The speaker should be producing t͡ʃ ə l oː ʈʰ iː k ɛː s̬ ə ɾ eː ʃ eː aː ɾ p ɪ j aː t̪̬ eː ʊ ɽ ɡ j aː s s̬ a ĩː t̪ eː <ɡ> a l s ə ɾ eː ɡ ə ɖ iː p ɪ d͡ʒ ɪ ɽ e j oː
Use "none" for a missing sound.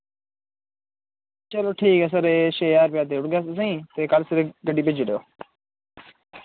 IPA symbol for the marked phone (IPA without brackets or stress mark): k